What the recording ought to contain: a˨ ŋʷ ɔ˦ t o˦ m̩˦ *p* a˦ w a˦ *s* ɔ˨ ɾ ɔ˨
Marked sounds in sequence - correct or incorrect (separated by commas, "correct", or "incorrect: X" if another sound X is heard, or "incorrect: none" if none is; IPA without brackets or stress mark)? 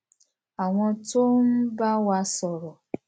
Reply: incorrect: b, correct